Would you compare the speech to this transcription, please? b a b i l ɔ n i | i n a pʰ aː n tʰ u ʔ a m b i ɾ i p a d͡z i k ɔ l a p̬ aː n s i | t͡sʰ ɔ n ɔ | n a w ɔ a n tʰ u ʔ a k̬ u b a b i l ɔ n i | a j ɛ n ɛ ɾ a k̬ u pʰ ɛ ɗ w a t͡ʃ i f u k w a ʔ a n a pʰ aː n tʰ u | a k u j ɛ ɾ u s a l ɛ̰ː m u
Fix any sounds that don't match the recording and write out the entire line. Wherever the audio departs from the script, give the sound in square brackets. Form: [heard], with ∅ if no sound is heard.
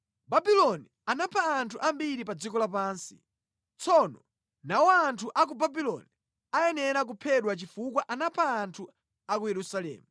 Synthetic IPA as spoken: b a b i l ɔ n i | [a] n a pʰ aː n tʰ u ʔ a m b i ɾ i p a d͡z i k ɔ l a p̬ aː n s i | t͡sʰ ɔ n ɔ | n a w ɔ a n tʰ u ʔ a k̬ u b a b i l ɔ n i | a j ɛ n ɛ ɾ a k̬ u pʰ ɛ ɗ w a t͡ʃ i f u k w a ʔ a n a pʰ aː n tʰ u | a k u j ɛ ɾ u s a l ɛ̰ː m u

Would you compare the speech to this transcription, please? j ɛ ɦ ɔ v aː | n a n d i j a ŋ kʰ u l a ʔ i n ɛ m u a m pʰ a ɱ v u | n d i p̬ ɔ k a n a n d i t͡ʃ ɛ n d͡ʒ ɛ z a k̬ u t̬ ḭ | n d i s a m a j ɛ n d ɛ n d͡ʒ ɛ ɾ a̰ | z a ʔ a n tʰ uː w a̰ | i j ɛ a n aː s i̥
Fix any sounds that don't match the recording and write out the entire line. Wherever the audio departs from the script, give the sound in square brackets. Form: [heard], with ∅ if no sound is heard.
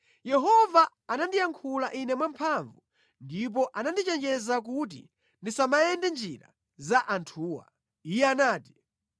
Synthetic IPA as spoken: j ɛ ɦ ɔ v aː | n a n d i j a ŋ kʰ u l a ʔ i n ɛ m [w] a m pʰ a ɱ v u | n d i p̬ ɔ [ʔ] a n a n d i t͡ʃ ɛ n d͡ʒ ɛ z a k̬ u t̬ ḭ | n d i s a m a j ɛ n d ɛ n d͡ʒ [i] ɾ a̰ | z a ʔ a n tʰ uː w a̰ | i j ɛ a n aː [t] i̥

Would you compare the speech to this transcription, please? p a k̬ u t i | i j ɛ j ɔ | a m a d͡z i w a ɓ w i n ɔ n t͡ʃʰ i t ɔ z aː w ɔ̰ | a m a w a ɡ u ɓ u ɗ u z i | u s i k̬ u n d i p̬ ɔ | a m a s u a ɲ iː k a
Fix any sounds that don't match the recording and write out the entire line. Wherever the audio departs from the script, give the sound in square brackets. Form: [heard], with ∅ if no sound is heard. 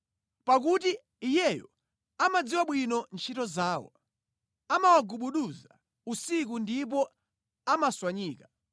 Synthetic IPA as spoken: p a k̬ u t i | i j ɛ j ɔ | a m a d͡z i w a ɓ w i n ɔ n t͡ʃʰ i t ɔ z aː w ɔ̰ | a m a w a ɡ u ɓ u ɗ u z [a] | u s i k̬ u n d i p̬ ɔ | a m a s [w] a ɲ iː k a

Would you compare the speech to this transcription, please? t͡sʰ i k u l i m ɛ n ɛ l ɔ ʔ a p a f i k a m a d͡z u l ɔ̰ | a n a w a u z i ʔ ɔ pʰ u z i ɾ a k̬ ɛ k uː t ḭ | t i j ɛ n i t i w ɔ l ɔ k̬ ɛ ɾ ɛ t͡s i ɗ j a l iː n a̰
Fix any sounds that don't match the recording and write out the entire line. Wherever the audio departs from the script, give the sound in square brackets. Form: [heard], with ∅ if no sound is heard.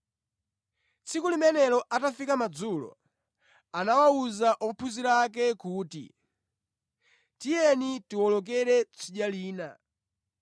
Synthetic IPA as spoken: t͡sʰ i k u l i m ɛ n ɛ l ɔ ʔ a [t] a f i k a m a d͡z u l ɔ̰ | a n a w a u z [a] ʔ ɔ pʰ u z i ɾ a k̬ ɛ k uː t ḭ | t i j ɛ n i t i w ɔ l ɔ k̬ ɛ ɾ ɛ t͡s i ɗ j a l iː n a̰

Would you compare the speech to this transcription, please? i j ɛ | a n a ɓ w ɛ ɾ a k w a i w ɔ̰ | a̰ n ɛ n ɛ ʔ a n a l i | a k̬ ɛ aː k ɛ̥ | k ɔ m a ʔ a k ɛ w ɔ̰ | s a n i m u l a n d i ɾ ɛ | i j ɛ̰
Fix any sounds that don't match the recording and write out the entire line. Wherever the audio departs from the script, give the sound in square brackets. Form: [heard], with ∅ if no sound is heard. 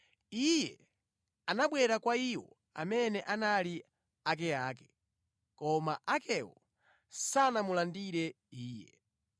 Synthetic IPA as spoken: i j ɛ | a n a ɓ w ɛ ɾ a k w a i w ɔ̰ | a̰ [m] ɛ n ɛ ʔ a n a l i | a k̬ ɛ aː k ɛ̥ | k ɔ m a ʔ a k ɛ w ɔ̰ | s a n [a] m u l a n d i ɾ ɛ | [iː] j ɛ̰

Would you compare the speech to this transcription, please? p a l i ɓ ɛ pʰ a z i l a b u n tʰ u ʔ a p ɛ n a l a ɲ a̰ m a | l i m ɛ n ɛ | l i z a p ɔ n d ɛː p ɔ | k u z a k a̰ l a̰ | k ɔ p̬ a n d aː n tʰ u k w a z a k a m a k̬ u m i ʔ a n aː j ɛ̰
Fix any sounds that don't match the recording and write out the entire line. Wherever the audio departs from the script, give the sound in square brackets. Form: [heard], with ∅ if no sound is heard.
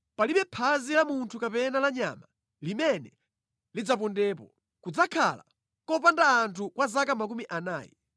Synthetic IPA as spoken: p a l i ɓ ɛ pʰ a z i l a [m] u n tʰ u [k] a p ɛ n a l a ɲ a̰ m a | l i m ɛ n ɛ | l i [d͡z] a p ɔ n d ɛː p ɔ | k u [d͡z] a [kʰ] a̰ l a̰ | k ɔ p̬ a n d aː n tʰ u k w a z a k a m a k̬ u m i ʔ a n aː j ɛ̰

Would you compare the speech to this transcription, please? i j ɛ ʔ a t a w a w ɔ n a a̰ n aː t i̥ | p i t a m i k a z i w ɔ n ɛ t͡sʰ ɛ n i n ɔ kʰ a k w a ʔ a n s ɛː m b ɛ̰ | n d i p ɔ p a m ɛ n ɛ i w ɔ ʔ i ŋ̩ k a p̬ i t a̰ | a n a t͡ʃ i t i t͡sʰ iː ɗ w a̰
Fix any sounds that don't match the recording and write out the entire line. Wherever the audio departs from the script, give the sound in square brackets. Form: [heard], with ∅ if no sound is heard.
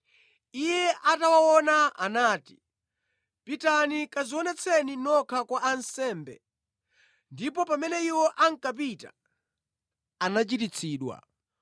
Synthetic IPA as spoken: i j ɛ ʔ a t a w a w ɔ n a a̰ n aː t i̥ | p i t a [n] i k a z i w ɔ n ɛ t͡sʰ ɛ n i n ɔ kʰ a k w a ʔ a n s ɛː m b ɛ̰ | n d i p ɔ p a m ɛ n ɛ i w ɔ ʔ [a] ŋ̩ k a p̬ i t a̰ | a n a t͡ʃ i t i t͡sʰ iː ɗ w a̰

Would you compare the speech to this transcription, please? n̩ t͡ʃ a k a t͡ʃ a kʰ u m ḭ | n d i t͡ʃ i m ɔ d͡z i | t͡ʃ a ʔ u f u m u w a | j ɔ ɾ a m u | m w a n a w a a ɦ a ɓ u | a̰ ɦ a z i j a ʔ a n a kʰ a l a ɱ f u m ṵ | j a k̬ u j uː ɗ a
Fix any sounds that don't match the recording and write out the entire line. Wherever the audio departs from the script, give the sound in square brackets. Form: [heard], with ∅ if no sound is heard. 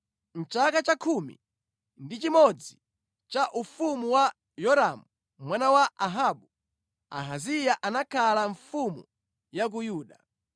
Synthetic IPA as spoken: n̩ t͡ʃ a k a t͡ʃ a kʰ u m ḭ | n d i t͡ʃ i m ɔ d͡z i | t͡ʃ a ʔ u f u m u w a | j ɔ ɾ a m u | m w a n a w a a ɦ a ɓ u | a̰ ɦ a z i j a ʔ a n a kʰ a l a ɱ f u m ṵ | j a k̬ u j uː ɗ a

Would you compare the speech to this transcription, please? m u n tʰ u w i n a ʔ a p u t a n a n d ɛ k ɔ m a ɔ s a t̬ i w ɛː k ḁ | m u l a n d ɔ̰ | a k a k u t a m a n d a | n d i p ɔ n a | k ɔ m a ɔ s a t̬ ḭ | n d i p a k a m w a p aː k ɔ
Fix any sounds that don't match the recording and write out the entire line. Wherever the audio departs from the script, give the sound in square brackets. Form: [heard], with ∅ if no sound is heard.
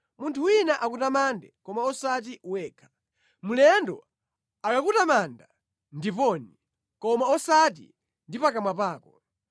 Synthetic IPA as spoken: m u n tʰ u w i n a ʔ a [k] u t a [m] a n d ɛ k ɔ m a ɔ s a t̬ i w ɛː [kʰ] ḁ | m u l [ɛ] n d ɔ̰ | a k a k u t a m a n d a | n d i p ɔ n [i] | k ɔ m a ɔ s a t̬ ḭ | n d i p a k a m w a p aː k ɔ

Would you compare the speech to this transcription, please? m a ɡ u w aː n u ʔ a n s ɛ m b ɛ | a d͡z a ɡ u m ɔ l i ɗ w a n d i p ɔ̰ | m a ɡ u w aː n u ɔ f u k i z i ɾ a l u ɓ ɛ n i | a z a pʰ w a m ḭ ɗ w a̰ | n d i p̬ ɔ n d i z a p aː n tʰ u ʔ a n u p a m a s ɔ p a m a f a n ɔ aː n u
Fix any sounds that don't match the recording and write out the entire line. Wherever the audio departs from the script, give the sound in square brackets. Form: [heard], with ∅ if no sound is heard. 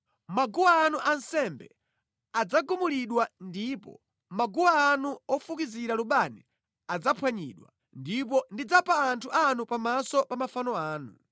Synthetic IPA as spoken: m a ɡ u w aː n u ʔ a n s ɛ m b ɛ | a d͡z a ɡ u m [u] l i ɗ w a n d i p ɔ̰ | m a ɡ u w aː n u ɔ f u k i z i ɾ a l u ɓ [a] n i | a [d͡z] a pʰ w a [ɲ] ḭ ɗ w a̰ | n d i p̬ ɔ n d i [d͡z] a p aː n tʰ u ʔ a n u p a m a s ɔ p a m a f a n ɔ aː n u

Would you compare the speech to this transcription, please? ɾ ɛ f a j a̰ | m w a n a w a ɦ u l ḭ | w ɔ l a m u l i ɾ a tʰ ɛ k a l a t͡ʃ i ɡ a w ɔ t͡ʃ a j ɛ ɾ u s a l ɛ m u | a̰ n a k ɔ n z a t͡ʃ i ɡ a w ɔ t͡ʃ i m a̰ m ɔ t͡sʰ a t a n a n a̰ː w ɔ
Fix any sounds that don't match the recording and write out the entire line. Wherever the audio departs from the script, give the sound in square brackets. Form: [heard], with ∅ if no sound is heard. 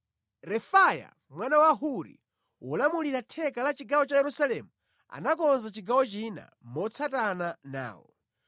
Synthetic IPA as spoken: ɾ ɛ f a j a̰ | m w a n a w a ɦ u [ɾ] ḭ | w ɔ l a m u l i ɾ a tʰ ɛ k a l a t͡ʃ i ɡ a w ɔ t͡ʃ a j ɛ ɾ u s a l ɛ m u | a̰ n a k ɔ n z a t͡ʃ i ɡ a w ɔ t͡ʃ i [n] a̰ m ɔ t͡sʰ a t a n a n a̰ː w ɔ

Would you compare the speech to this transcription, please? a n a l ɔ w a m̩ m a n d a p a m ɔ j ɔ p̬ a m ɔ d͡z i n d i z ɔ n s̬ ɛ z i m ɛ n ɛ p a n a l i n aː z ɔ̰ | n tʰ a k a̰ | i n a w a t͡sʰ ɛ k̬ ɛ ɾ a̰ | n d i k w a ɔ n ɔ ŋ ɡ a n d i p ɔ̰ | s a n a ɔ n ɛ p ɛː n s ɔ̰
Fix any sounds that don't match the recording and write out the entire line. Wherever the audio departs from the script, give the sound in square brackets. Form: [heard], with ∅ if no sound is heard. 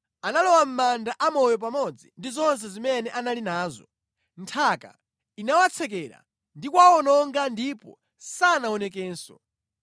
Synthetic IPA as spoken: a n a l ɔ w a m̩ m a n d a [ʔ] a m ɔ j ɔ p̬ a m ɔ d͡z i n d i z ɔ n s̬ ɛ z i m ɛ n ɛ [ʔ] a n a l i n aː z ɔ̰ | n tʰ a k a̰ | i n a w a t͡sʰ ɛ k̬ ɛ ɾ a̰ | n d i k w a ɔ n ɔ ŋ ɡ a n d i p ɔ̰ | s a n a ɔ n ɛ [k] ɛː n s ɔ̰

